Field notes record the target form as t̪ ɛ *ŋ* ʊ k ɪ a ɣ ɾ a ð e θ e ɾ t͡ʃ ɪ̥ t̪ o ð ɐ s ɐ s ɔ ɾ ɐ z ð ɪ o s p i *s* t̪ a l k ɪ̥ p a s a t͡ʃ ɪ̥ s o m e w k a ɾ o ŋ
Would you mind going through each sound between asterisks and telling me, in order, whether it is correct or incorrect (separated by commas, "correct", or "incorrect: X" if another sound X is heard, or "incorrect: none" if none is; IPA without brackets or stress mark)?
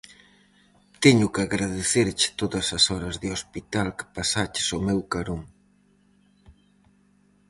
incorrect: ɲ, incorrect: none